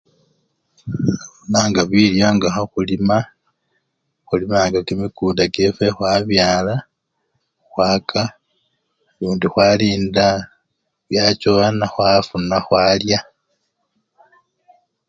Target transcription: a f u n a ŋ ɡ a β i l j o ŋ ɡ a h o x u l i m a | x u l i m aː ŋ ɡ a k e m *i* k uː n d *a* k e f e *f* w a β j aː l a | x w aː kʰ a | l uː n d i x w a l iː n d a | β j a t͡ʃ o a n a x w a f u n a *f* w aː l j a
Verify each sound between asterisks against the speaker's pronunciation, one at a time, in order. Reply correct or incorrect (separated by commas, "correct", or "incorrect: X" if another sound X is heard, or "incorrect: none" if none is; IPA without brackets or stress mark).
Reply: correct, correct, incorrect: x, incorrect: x